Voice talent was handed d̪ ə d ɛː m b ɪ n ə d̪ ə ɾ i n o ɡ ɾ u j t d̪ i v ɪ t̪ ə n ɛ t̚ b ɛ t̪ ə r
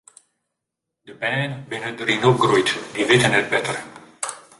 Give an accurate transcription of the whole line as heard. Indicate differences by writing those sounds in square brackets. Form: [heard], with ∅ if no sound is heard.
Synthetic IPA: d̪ ə [b] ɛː [n] b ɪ n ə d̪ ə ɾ i n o ɡ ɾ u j t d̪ i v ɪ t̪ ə n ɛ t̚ b ɛ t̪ ə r